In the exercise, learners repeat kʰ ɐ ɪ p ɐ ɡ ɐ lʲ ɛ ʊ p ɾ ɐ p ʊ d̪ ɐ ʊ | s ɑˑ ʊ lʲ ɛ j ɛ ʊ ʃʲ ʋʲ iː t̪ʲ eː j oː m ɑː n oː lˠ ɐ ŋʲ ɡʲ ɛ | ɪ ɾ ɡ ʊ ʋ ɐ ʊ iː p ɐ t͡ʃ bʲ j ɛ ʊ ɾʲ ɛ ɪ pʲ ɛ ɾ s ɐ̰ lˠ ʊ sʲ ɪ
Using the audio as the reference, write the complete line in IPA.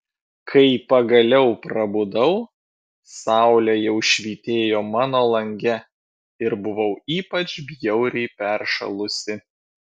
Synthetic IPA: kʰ ɐ ɪ p ɐ ɡ ɐ lʲ ɛ ʊ p ɾ ɐ b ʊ d̪ ɐ ʊ | s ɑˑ ʊ lʲ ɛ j ɛ ʊ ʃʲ ʋʲ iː t̪ʲ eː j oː m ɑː n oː lˠ ɐ ŋʲ ɡʲ ɛ | ɪ ɾ b ʊ ʋ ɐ ʊ iː p ɐ t͡ʃ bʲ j ɛ ʊ ɾʲ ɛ ɪ pʲ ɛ ɾ ʃ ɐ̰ lˠ ʊ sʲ ɪ